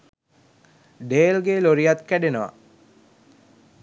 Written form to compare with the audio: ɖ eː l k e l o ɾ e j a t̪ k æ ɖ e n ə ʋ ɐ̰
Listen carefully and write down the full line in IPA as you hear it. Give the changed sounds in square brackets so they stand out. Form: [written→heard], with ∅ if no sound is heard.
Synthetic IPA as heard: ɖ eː l [k→ɡ] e l o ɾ [e→i] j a t̪ k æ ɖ e n ə ʋ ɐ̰